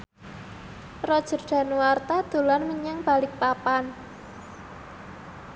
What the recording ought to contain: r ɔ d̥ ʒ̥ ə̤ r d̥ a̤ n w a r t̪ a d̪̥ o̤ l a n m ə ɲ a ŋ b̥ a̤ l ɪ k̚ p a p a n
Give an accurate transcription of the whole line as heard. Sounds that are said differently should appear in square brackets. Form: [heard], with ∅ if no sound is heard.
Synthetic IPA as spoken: r ɔ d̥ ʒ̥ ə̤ r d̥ a̤ n w a r t̪ a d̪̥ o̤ l a n m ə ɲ a ŋ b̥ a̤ l ɪ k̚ p a p a n